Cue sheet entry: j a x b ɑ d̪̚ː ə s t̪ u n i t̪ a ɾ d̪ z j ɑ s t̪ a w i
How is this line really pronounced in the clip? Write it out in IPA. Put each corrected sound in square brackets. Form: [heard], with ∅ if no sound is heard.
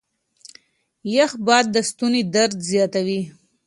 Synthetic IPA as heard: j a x b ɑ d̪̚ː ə s t̪ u n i [d̪] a ɾ d̪ z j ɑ [∅] t̪ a w i